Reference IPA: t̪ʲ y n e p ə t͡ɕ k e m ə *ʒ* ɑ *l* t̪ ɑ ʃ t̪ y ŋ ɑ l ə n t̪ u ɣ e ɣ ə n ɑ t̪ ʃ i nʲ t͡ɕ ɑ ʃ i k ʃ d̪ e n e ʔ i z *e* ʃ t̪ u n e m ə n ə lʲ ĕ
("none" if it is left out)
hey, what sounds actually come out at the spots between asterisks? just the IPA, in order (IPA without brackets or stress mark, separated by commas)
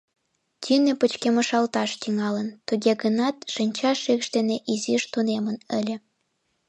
ʃ, l, i